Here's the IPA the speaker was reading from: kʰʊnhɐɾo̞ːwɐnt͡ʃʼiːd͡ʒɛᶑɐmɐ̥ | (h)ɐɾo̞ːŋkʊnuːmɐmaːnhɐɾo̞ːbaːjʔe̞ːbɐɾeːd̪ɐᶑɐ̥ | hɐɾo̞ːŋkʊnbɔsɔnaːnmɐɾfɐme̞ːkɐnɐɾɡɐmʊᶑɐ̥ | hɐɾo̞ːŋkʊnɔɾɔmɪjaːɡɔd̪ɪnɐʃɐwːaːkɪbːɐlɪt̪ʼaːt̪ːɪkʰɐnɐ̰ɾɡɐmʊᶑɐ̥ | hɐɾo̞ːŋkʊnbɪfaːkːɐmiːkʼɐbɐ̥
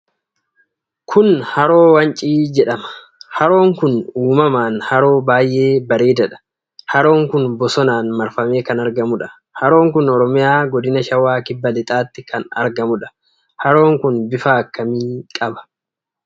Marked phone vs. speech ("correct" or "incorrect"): correct